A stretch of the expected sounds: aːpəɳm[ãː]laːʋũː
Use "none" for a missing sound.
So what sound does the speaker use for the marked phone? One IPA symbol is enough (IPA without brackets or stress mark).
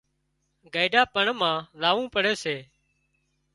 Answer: ãː